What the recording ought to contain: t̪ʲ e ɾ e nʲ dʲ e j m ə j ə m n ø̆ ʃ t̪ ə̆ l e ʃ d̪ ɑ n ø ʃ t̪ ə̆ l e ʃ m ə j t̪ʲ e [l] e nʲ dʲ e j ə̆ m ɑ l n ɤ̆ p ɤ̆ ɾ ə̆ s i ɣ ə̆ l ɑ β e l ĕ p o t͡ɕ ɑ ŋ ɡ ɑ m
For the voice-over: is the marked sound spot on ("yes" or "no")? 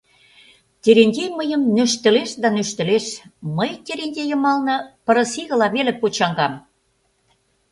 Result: no